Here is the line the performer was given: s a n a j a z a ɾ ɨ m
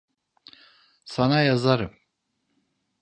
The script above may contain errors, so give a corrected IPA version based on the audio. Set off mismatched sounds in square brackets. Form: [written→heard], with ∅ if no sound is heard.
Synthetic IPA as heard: s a n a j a z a ɾ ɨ m